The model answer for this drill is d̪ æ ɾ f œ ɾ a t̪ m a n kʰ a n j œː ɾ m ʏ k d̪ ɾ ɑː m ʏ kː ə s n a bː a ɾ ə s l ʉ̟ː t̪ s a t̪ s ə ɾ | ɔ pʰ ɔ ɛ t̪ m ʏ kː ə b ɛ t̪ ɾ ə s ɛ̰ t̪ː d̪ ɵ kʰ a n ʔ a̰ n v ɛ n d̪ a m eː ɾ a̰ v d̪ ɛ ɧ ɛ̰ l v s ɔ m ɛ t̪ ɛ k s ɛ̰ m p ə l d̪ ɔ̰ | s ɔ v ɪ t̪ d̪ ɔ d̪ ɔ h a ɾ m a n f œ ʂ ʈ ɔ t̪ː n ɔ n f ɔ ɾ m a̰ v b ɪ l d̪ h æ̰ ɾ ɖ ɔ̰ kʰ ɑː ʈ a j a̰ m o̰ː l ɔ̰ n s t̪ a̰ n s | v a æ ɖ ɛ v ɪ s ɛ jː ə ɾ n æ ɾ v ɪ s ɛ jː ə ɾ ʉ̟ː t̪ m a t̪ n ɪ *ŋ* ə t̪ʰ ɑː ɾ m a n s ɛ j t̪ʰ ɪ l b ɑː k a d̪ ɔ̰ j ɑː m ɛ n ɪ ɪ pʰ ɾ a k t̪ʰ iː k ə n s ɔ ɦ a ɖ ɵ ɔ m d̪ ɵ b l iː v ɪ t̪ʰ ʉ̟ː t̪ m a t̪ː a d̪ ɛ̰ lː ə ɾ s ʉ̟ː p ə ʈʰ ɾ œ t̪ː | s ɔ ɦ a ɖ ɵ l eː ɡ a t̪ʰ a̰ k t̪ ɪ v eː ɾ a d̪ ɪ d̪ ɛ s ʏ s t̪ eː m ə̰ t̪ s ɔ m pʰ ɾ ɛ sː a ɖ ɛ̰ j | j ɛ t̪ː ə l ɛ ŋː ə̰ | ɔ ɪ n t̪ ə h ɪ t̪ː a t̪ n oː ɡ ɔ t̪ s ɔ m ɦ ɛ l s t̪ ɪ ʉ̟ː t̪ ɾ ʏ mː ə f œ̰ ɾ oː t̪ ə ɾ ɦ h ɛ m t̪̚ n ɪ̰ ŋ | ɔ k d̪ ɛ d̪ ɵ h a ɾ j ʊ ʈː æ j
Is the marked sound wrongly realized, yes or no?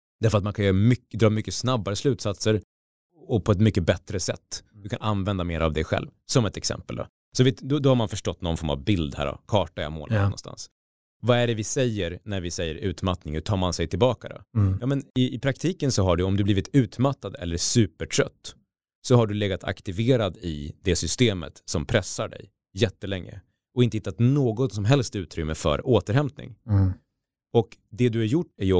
no